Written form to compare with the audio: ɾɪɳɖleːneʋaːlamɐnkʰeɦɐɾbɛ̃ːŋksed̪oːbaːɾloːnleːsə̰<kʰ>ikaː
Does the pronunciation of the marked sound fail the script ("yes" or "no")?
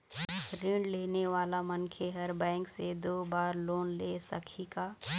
no